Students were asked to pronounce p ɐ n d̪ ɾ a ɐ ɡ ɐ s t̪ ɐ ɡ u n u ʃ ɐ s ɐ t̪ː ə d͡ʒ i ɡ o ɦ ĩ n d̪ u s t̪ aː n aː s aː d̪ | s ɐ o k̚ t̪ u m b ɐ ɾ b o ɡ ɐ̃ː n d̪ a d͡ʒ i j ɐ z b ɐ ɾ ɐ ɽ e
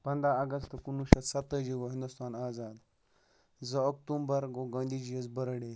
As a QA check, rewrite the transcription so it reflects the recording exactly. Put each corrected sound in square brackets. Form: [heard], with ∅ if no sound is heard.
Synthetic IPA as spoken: p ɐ n d̪ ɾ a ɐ ɡ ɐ s t̪ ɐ [k] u n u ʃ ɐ s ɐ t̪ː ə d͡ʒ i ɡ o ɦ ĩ n d̪ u s t̪ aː n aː [z] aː d̪ | [z] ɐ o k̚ t̪ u m b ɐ ɾ [ɡ] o ɡ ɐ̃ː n d̪ [i] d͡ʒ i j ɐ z b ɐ ɾ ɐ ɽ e